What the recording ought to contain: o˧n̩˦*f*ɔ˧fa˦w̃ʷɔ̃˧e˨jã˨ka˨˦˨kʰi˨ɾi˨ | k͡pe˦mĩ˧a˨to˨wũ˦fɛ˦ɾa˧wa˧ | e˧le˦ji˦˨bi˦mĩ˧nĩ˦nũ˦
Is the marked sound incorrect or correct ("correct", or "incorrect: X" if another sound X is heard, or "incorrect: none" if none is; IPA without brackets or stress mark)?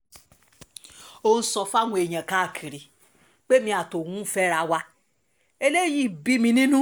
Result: incorrect: s